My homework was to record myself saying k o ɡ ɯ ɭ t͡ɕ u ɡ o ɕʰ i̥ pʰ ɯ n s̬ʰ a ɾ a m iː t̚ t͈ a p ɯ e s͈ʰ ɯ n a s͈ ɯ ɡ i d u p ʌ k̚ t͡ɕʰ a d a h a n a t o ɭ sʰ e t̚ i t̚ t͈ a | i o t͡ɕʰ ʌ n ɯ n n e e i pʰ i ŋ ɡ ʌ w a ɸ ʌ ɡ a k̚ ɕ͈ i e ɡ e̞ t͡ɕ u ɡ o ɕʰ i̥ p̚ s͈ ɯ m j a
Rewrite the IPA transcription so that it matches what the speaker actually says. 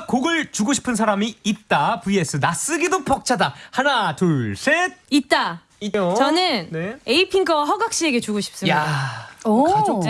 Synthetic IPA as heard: k o ɡ ɯ ɭ t͡ɕ u ɡ o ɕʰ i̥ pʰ ɯ n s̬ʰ a ɾ a m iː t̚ t͈ a p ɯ e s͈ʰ ɯ n a s͈ ɯ ɡ i d o p ʌ k̚ t͡ɕʰ a d a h a n a t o ɭ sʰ e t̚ i t̚ t͈ a | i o t͡ɕ ʌ n ɯ n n e e i pʰ i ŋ ɡ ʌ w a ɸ ʌ ɡ a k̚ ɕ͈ i e ɡ e̞ t͡ɕ u ɡ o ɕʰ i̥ p̚ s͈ ɯ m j a